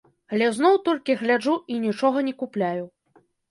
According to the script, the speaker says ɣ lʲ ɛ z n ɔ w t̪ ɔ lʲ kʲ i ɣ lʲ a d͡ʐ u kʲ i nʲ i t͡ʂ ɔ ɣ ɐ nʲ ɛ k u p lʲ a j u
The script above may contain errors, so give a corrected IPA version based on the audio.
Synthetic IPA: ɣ lʲ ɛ z n ɔ w t̪ ɔ lʲ kʲ i ɣ lʲ a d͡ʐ u i nʲ i t͡ʂ ɔ ɣ ɐ nʲ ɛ k u p lʲ a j u